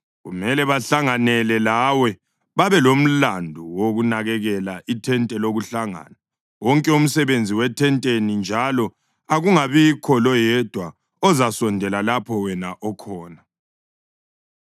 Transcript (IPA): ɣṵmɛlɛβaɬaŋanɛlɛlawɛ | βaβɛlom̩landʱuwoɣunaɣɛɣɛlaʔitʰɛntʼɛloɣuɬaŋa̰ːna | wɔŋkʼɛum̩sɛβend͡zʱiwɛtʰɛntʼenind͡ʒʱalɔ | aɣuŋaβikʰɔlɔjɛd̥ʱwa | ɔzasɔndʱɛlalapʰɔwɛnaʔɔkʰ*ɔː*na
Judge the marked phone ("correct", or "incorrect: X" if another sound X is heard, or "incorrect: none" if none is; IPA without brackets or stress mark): correct